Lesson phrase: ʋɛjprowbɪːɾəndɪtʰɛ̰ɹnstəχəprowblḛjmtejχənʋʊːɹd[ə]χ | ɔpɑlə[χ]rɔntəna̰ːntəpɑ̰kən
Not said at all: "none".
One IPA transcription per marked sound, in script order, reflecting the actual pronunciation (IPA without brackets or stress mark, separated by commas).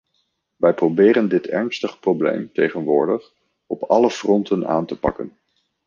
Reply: ə, f